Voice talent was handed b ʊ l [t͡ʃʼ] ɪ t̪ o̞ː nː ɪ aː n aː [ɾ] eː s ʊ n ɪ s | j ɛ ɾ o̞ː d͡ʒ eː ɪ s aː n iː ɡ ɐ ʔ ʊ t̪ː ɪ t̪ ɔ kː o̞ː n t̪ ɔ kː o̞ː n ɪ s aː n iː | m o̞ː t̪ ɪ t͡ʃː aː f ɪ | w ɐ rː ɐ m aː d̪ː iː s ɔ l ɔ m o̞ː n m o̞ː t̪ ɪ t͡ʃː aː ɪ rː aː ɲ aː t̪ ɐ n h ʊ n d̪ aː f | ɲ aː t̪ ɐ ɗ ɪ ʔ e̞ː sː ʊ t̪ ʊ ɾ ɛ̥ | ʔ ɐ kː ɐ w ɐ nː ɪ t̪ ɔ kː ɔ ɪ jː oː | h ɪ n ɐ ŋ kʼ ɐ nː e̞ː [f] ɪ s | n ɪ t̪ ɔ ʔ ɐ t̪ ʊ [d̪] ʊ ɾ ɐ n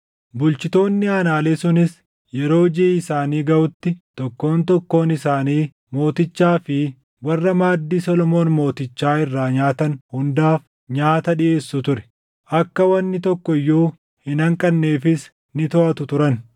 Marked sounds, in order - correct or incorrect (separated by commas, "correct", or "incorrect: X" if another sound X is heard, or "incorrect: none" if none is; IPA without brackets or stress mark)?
incorrect: t͡ʃ, incorrect: l, correct, incorrect: t̪